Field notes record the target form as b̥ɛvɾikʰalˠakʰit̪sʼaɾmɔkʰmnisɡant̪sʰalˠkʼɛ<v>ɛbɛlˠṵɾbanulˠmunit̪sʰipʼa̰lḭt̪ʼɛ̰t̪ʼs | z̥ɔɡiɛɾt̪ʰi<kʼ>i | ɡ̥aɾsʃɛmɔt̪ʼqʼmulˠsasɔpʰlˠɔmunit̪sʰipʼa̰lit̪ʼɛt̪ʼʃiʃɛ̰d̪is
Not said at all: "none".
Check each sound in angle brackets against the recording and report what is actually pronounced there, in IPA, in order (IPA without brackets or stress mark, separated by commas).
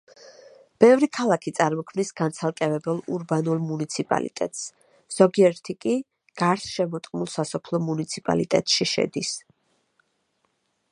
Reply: v, kʼ